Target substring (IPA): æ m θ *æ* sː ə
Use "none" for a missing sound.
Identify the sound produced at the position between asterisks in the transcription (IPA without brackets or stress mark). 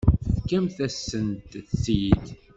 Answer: æ